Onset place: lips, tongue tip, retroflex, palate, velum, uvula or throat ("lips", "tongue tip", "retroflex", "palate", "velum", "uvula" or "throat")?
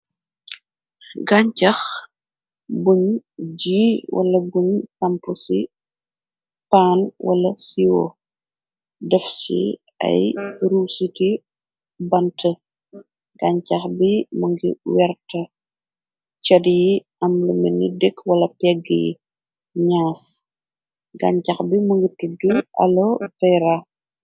velum